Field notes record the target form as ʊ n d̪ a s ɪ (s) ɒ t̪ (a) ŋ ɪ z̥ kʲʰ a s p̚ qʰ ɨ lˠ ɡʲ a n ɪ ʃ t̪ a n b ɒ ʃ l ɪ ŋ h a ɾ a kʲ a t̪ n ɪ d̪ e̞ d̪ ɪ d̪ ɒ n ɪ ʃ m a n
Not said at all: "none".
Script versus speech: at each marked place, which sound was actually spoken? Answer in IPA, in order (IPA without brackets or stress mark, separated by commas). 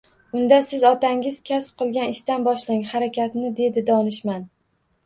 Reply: z, a